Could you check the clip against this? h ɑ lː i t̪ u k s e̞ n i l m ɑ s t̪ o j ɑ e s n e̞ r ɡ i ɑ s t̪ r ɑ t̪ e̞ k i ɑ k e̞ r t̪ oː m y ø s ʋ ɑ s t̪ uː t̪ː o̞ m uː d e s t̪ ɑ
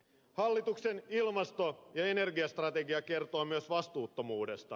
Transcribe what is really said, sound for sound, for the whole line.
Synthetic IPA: h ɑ lː i t̪ u k s e̞ n i l m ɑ s t̪ o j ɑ e n e̞ r ɡ i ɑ s t̪ r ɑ t̪ e̞ ɡ i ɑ k e̞ r t̪ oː m y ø s ʋ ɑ s t̪ uː t̪ː o̞ m uː d e s t̪ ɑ

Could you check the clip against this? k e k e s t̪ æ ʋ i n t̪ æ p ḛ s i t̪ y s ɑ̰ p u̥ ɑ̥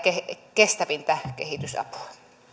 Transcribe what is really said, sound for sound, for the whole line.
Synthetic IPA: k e k e s t̪ æ ʋ i n t̪ æ k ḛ h i t̪ y s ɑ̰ p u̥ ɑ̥

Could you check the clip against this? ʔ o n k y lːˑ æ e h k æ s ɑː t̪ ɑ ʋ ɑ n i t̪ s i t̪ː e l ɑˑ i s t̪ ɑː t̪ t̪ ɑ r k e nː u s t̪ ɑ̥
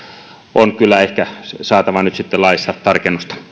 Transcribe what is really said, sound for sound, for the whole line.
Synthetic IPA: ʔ o n k y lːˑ æ e h k æ s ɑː t̪ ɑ ʋ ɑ n y t̪ s i t̪ː e l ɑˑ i s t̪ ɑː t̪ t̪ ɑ r k e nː u s t̪ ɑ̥

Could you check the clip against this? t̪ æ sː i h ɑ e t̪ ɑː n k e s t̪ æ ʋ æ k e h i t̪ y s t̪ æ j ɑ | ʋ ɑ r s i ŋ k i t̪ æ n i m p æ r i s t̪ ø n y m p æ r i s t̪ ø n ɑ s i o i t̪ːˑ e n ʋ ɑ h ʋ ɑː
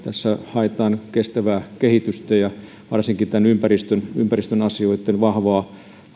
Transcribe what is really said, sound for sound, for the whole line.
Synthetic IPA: t̪ æ sː æ h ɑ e t̪ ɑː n k e s t̪ æ ʋ æː k e h i t̪ y s t̪ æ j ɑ | ʋ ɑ r s i ŋ k i t̪ æ n y m p æ r i s t̪ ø n y m p æ r i s t̪ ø n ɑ s i o i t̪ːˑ e n ʋ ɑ h ʋ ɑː

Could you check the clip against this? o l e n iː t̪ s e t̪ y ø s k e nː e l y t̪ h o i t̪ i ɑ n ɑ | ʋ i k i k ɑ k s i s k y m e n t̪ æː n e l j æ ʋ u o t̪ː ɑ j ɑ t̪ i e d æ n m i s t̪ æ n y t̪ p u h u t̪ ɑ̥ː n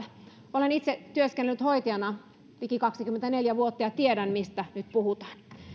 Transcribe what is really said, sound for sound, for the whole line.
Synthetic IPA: o l e n i t̪ s e t̪ y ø s k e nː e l y t̪ h o i t̪ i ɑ n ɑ | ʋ i k i k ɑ k s i k y m e n t̪ æ n e l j æ ʋ u o t̪ː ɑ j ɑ t̪ i e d æ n m i s t̪ æ n y t̪ p u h u t̪ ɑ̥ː n

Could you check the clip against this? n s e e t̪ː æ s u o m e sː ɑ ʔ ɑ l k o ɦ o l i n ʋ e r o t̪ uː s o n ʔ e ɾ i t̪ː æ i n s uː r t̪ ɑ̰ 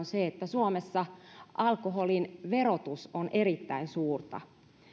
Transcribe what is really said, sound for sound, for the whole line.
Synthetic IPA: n s e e t̪ː æ s u o m e sː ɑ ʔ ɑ l k o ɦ o l i n ʋ e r o t̪ u s o n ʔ e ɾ i t̪ː æ i n s uː r t̪ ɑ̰

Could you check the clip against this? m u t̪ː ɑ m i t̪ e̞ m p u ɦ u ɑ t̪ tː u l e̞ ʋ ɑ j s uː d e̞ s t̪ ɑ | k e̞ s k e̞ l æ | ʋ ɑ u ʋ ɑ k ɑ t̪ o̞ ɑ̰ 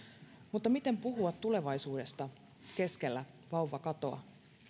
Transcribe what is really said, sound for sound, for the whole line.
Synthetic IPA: m u t̪ː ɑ m i t̪ e̞ m p u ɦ u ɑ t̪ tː u l e̞ ʋ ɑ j s uː d e̞ s t̪ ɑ | k e̞ s k e̞ lː æ | ʋ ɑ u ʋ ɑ k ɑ t̪ o̞ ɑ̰

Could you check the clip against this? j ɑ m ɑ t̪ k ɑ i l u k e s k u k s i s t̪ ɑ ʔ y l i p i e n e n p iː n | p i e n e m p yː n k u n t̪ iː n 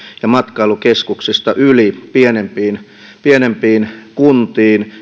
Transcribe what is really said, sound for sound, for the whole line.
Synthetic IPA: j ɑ m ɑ t̪ k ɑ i l u k e s k u k s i s t̪ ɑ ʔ y l i p i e n e m p iː n | p i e n e m p iː n k u n t̪ iː n

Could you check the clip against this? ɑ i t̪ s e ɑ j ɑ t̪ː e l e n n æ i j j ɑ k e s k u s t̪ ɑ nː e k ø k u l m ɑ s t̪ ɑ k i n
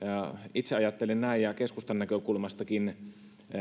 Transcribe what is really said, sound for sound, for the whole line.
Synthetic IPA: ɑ i t̪ s e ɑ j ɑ t̪ː e l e n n æ i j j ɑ k e s k u s t̪ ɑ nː æ k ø k u l m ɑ s t̪ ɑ k i n

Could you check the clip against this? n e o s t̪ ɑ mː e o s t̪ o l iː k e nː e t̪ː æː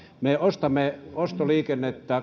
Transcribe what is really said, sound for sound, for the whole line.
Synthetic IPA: m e o s t̪ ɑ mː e o s t̪ o l iː k e nː e t̪ː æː

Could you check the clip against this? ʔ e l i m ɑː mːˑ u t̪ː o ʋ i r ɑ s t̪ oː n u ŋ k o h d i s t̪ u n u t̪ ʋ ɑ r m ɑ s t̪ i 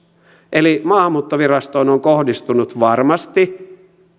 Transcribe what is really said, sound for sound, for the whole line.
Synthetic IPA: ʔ e l i m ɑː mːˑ uː t̪ː o ʋ i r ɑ s t̪ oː n o ŋ k o h d i s t̪ u n u t̪ ʋ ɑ r m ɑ s t̪ i

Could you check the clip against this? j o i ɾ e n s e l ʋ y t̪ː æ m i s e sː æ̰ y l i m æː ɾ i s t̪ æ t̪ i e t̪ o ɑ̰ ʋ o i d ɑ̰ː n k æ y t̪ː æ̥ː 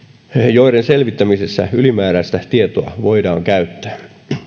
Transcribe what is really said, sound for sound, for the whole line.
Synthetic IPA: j o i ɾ e n s e l ʋ i t̪ː æ m i s e sː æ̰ y l i m æː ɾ æ s t̪ æ t̪ i e t̪ o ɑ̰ ʋ o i d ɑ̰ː ŋ k æ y t̪ː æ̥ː

